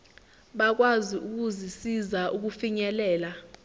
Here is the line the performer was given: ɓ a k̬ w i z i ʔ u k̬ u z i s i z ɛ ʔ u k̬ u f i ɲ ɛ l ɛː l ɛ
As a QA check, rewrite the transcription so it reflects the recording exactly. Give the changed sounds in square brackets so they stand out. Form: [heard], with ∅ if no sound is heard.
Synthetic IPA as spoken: ɓ a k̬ w [a] z i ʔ u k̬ u z i s i z [a] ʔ u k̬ u f i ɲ ɛ l ɛː l [a]